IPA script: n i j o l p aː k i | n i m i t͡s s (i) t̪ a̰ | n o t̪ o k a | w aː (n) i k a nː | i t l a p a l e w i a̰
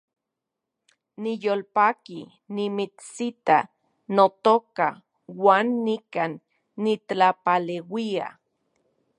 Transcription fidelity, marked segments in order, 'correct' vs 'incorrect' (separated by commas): correct, incorrect